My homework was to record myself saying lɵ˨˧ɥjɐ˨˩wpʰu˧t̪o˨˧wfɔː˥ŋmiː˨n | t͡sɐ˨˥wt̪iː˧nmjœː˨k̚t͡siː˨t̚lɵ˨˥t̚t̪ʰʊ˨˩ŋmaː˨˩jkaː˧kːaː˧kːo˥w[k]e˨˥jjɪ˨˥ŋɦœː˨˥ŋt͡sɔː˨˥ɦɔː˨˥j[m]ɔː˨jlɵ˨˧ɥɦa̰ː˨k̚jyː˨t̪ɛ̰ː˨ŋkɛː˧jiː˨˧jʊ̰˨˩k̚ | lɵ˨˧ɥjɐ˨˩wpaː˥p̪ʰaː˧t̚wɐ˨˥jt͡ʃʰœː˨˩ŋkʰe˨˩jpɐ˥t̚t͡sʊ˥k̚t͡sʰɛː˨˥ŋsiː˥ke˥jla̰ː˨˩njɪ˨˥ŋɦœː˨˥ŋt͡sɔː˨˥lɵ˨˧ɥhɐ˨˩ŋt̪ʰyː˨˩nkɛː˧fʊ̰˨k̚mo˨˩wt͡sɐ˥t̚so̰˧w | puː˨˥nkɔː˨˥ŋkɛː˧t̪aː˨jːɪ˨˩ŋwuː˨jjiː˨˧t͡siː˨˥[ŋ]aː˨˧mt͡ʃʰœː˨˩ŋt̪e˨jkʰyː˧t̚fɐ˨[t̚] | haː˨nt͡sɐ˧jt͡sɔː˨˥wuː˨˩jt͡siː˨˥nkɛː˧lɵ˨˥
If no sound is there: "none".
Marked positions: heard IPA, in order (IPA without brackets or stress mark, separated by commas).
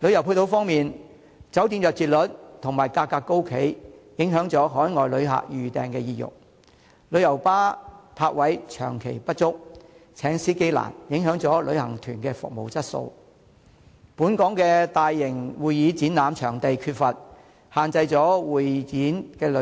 kʰ, ŋ, n, t̚